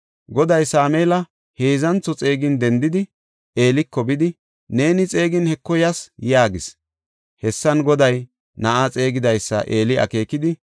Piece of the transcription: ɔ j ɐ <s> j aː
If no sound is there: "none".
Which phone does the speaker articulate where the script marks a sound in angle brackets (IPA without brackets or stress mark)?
s